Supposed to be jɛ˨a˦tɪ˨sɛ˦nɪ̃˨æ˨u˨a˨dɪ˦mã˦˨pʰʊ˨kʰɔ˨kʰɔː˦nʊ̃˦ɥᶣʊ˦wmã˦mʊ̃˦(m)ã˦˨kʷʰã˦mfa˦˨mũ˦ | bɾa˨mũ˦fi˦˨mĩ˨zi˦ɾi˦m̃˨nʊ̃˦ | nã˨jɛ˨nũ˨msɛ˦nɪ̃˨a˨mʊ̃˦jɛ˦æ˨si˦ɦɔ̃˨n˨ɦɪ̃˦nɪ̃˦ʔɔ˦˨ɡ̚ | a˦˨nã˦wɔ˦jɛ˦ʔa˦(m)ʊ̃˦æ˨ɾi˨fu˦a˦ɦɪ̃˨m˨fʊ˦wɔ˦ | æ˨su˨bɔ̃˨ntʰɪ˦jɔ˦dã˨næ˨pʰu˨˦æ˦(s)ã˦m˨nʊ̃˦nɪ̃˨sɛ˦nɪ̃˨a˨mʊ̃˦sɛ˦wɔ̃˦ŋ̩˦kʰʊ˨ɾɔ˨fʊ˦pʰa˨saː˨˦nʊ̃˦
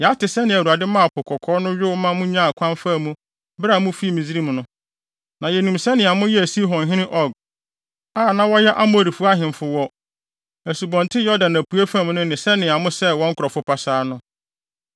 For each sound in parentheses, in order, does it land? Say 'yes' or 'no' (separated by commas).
no, yes, no